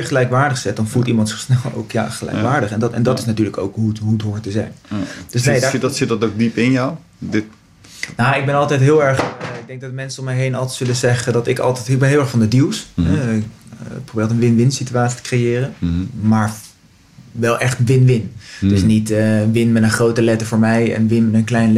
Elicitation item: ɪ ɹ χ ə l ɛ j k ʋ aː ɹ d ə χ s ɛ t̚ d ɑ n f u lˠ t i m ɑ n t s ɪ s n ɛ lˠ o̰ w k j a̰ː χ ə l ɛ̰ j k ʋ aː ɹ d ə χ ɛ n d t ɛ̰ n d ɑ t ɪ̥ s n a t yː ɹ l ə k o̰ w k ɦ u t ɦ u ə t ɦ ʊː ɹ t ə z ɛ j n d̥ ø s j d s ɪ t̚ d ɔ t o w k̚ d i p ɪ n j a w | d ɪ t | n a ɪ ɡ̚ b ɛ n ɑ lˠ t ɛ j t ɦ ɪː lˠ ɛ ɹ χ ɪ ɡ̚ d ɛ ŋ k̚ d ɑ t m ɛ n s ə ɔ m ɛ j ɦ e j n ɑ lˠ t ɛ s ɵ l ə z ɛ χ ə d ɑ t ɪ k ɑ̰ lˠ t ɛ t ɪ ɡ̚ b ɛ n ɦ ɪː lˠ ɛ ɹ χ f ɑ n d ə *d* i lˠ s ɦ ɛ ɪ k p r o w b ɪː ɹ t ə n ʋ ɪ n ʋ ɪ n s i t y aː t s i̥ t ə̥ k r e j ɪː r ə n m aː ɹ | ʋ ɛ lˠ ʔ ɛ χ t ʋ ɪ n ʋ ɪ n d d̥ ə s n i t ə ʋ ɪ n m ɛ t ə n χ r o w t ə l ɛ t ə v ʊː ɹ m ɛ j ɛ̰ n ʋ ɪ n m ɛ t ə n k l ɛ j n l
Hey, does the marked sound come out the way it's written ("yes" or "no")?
yes